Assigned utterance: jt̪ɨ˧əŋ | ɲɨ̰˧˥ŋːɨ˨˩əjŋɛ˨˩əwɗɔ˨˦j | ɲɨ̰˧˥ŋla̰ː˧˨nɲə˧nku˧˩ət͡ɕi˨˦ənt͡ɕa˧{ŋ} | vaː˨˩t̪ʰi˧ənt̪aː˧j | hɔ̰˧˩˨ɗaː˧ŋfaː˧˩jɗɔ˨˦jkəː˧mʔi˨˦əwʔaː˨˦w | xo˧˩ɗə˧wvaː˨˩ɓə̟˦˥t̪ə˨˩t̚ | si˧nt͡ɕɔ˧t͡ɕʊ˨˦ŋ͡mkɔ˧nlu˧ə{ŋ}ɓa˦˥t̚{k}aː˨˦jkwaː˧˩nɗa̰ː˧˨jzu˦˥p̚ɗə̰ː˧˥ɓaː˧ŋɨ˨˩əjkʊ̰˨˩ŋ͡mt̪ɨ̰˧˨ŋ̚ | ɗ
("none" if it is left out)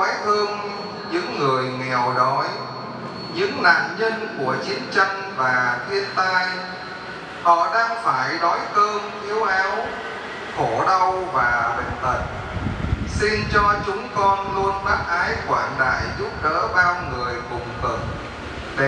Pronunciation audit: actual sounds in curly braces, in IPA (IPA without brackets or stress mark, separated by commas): ŋ, n, ʔ